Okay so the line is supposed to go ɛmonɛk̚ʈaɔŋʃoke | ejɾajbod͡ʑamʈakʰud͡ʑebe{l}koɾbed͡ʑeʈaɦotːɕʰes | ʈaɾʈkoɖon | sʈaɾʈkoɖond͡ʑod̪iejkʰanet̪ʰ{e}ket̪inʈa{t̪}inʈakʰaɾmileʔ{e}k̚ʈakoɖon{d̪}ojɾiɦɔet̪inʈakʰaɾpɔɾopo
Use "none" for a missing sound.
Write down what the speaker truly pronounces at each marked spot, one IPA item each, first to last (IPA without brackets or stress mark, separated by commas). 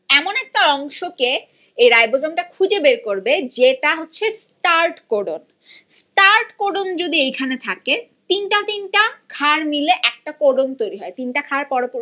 ɾ, a, t̪, ɛ, t̪